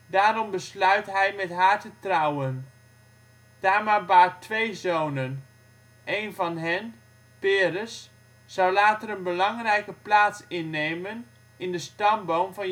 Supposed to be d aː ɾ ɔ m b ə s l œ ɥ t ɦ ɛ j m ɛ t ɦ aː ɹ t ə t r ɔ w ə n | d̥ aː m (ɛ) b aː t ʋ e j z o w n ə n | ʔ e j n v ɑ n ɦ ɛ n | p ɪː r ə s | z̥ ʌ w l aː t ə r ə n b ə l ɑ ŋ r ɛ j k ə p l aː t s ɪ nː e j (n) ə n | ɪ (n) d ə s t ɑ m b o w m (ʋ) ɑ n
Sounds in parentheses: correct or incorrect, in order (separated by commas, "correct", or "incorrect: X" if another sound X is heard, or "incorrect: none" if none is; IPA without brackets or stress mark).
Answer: incorrect: a, incorrect: m, correct, incorrect: v